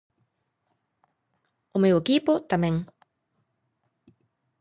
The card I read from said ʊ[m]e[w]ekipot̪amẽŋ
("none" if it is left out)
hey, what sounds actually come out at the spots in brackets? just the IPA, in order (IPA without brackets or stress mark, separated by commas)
m, w